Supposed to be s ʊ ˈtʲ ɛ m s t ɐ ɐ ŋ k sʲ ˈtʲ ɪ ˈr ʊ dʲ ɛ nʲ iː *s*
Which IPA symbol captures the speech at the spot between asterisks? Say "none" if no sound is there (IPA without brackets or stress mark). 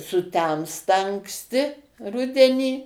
none